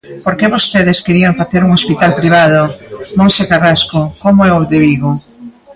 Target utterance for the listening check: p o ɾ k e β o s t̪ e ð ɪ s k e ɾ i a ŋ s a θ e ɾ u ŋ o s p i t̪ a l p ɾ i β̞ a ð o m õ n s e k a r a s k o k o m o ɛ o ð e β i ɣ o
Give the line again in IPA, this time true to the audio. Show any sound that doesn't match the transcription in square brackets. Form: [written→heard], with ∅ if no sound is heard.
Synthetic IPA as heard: p o ɾ k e β o s t̪ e ð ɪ s k e ɾ i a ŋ [s→f] a θ e ɾ u ŋ o s p i t̪ a l p ɾ i β̞ a ð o m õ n s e k a r a s k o k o m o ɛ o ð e β i ɣ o